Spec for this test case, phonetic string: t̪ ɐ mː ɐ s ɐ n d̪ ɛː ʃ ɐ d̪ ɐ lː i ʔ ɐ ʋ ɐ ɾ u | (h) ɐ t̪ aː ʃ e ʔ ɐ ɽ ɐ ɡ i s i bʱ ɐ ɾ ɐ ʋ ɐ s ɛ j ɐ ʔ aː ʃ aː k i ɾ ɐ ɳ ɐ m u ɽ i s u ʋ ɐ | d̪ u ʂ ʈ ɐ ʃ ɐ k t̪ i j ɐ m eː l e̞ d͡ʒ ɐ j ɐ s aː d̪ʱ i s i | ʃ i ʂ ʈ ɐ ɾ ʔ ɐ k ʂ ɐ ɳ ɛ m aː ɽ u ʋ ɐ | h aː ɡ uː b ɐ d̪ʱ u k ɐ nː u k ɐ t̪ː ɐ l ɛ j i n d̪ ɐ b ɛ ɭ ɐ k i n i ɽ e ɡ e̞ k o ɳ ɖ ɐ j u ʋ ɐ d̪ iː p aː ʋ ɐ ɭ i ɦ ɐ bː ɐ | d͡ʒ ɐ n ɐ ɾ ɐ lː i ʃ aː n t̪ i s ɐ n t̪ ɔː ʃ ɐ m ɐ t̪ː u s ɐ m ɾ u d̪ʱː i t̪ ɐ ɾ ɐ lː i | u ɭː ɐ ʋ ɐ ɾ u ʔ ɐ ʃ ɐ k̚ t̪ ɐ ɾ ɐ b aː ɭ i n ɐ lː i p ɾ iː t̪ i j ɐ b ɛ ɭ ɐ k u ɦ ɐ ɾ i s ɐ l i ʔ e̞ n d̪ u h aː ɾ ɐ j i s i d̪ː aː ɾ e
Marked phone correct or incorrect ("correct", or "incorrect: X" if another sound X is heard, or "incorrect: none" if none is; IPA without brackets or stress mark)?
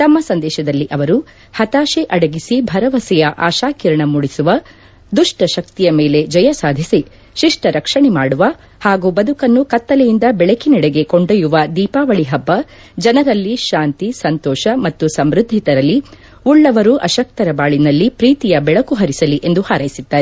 correct